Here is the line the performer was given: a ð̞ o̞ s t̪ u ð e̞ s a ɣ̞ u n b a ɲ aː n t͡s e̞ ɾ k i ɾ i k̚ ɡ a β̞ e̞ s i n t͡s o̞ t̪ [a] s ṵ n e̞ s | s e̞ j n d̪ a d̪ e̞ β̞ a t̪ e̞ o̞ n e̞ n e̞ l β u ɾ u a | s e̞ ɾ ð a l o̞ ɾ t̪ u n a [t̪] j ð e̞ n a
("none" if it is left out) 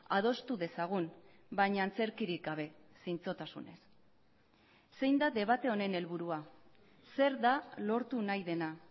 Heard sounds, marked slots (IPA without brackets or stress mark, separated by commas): a, none